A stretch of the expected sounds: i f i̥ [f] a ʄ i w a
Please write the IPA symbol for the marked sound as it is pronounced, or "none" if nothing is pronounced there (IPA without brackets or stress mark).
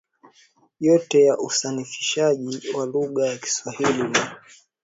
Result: ʃ